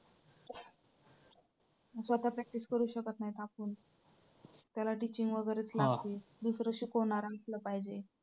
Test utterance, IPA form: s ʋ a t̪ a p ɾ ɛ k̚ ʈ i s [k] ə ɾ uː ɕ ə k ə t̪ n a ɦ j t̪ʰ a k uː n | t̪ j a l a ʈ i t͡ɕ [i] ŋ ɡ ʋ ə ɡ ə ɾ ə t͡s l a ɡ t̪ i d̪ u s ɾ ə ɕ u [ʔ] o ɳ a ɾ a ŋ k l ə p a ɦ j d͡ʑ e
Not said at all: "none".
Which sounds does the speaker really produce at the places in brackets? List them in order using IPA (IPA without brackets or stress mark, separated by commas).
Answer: k, i, k